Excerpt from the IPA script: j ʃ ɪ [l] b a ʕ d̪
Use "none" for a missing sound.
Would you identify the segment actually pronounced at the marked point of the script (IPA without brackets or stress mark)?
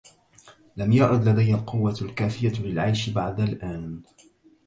none